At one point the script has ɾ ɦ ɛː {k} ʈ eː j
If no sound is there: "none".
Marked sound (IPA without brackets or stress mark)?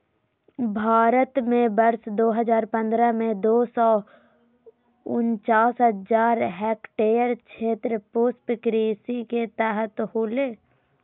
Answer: k